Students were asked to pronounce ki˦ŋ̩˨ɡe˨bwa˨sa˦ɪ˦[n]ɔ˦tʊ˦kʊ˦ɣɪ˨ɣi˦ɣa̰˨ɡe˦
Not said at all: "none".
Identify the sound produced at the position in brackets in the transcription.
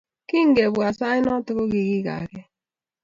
n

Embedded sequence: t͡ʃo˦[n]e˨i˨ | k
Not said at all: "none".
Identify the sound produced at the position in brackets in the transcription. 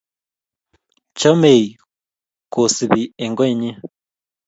m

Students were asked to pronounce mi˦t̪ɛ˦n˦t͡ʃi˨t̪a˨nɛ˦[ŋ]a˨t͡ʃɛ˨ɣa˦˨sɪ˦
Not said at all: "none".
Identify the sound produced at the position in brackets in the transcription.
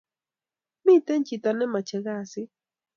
m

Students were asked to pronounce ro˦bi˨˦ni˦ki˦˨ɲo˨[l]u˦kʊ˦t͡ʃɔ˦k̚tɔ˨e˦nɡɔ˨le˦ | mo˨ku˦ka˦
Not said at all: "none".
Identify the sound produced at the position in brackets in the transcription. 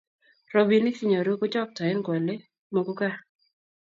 ɾ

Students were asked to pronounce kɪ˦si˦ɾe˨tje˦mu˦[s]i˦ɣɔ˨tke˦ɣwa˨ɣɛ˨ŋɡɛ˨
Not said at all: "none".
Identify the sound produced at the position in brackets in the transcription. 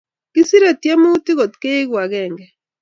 t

